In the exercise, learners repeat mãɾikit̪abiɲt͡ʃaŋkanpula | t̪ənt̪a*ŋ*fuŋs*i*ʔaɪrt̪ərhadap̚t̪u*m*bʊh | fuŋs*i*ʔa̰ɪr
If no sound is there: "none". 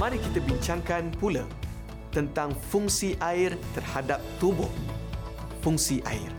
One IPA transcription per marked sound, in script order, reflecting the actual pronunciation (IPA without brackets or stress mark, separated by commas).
ŋ, i, none, i